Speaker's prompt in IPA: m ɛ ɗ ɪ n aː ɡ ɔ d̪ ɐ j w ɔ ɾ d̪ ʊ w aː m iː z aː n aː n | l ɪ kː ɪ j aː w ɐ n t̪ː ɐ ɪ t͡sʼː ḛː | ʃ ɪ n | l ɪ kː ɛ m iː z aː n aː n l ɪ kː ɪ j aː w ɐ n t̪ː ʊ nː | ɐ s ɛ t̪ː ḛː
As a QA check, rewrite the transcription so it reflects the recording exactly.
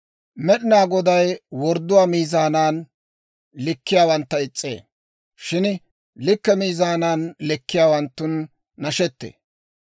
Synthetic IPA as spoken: m ɛ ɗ ɪ n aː ɡ ɔ d̪ ɐ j w ɔ ɾ d̪ ʊ w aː m iː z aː n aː n | l ɪ kː ɪ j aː w ɐ n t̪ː ɐ ɪ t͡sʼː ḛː | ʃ ɪ n | l ɪ kː ɛ m iː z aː n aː n l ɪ kː ɪ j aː w ɐ n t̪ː ʊ nː | ɐ ʃ ɛ t̪ː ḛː